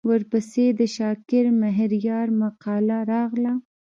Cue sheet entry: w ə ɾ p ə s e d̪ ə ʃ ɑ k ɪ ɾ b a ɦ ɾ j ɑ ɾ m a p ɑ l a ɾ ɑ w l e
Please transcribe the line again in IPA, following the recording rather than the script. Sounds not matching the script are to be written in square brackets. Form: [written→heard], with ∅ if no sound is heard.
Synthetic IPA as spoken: w ə ɾ p ə s e d̪ ə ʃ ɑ k ɪ ɾ [b→m] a ɦ ɾ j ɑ ɾ m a [p→q] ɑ l a ɾ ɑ [w→ɣ] l [e→a]